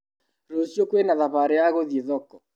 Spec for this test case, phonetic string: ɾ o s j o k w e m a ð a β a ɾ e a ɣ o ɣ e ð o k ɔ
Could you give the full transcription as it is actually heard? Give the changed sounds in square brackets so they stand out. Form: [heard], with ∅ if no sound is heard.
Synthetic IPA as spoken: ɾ o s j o k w e [n] a ð a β a ɾ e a ɣ o [ð] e ð [ɔ] k ɔ